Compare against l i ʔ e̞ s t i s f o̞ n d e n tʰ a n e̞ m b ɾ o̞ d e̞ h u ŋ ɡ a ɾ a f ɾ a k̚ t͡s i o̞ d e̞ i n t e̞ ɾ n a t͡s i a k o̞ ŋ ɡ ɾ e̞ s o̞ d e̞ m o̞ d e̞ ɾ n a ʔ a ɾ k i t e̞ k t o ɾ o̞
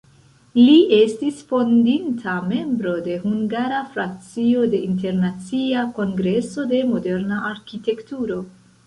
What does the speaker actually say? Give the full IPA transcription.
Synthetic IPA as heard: l i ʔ e̞ s t i s f o̞ n d i n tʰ a m e̞ m b ɾ o̞ d e̞ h u ŋ ɡ a ɾ a f ɾ a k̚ t͡s i o̞ d e̞ i n t e̞ ɾ n a t͡s i a k o̞ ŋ ɡ ɾ e̞ s o̞ d e̞ m o̞ d e̞ ɾ n a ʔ a ɾ k i t e̞ k t u ɾ o̞

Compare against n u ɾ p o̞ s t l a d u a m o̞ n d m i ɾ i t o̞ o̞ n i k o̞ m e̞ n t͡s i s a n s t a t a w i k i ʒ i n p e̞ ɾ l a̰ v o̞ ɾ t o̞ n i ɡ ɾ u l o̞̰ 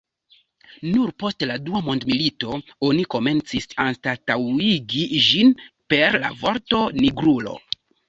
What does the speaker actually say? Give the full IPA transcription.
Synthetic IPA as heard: n u ɾ p o̞ s t l a d u a m o̞ n d m i l i t o̞ o̞ n i k o̞ m e̞ n t͡s i s a n s t a t a w i ɡ i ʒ i n p e̞ ɾ l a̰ v o̞ ɾ t o̞ n i ɡ ɾ u l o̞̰

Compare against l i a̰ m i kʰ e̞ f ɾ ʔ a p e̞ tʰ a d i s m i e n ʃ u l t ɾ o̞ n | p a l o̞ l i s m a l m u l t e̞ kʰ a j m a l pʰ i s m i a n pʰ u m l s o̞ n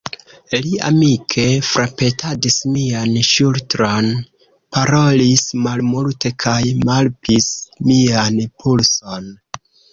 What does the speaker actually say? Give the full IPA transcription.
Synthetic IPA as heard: l i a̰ m i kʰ e̞ f ɾ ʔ a p e̞ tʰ a d i s m i a n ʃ u l t ɾ o̞ n | p a ɾ o̞ l i s m a l m u l t e̞ kʰ a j m a l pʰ i s m i a n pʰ u l s o̞ n

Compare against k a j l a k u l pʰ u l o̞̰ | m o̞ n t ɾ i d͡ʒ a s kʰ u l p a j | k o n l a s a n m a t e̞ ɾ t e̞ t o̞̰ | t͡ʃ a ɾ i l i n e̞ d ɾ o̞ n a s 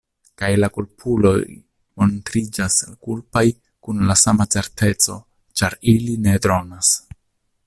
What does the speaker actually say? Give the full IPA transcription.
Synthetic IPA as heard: k a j l a k u l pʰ u l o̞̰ | m o̞ n t ɾ i d͡ʒ a s k u l p a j | k u n l a s a m a t͡s e̞ ɾ t e̞ t͡s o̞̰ | t͡ʃ a ɾ i l i n e̞ d ɾ o̞ n a s

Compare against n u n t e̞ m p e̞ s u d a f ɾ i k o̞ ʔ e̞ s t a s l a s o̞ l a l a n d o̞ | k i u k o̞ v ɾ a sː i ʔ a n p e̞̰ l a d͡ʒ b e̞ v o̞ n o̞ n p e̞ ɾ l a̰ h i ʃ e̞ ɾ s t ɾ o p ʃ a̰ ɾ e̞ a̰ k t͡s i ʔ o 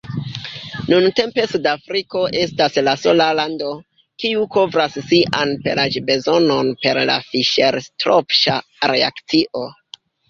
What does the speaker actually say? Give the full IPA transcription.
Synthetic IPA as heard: n u n t e̞ m p e̞ s u d a f ɾ i k o̞ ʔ e̞ s t a s l a s o̞ l a l a n d o̞ | k i u k o̞ v ɾ a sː i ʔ a n p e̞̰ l a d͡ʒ b e̞ z o̞ n o̞ n p e̞ ɾ l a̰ f i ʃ e̞ ɾ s t ɾ o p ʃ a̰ ɾ e̞ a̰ k t͡s i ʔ o

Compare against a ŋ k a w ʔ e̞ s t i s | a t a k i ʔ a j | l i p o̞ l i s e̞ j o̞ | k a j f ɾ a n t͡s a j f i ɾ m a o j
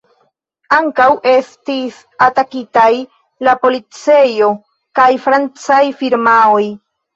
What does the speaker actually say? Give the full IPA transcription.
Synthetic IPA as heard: a ŋ k a w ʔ e̞ s t i s | a t a k i t a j | l a p o̞ l i t͡s e̞ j o̞ | k a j f ɾ a n t͡s a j f i ɾ m a o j

